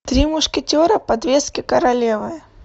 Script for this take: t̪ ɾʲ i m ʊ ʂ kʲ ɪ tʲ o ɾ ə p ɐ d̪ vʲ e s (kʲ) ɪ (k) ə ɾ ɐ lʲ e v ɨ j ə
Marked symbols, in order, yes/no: yes, yes

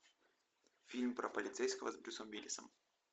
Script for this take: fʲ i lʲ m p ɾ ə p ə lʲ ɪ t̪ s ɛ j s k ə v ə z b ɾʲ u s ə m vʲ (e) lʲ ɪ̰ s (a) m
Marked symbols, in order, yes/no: no, no

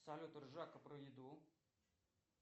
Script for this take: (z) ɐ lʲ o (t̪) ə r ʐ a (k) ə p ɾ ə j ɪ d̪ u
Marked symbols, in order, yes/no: no, yes, yes

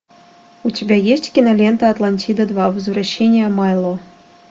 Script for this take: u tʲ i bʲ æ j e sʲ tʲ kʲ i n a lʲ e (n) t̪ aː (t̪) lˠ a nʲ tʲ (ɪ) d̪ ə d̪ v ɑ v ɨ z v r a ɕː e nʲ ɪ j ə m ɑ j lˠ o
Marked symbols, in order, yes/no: yes, yes, no

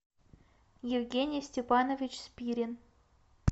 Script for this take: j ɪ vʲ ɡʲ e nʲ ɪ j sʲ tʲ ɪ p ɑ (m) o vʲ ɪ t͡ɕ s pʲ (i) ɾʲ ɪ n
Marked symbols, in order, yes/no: no, yes

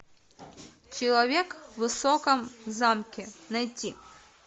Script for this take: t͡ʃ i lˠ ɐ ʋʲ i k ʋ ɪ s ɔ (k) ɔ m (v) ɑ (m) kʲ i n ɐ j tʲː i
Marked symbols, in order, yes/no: yes, no, yes

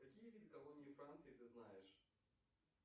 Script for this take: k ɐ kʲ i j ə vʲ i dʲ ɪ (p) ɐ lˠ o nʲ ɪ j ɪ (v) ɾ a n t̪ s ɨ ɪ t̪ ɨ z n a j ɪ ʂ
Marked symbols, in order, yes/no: no, no

